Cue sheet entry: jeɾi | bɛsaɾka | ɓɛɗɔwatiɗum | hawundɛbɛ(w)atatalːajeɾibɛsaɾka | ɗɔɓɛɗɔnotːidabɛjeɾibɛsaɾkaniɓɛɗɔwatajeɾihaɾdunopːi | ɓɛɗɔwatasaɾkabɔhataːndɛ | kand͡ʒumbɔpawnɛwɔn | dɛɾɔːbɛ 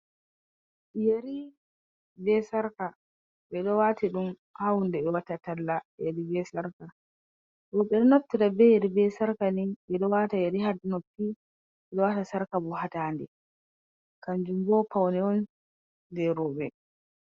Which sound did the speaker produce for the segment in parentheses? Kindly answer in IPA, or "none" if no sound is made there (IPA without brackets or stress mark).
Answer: w